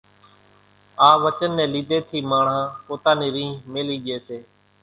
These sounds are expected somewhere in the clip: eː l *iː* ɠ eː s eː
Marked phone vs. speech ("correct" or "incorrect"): correct